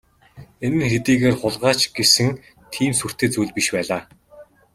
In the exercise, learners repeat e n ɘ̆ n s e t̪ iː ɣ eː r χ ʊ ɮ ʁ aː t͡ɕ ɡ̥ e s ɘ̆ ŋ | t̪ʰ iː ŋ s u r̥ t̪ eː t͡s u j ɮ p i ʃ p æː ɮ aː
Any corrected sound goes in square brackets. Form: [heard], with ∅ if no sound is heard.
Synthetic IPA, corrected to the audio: e n ɘ̆ n [x] e t̪ iː ɣ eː r χ ʊ ɮ ʁ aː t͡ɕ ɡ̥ e s ɘ̆ ŋ | t̪ʰ iː [m] s u r̥ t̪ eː t͡s u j ɮ p i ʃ p æː ɮ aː